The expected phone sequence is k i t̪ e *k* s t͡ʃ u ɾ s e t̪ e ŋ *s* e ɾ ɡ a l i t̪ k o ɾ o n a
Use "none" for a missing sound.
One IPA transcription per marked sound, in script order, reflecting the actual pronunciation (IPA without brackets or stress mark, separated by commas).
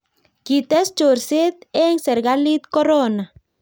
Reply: none, s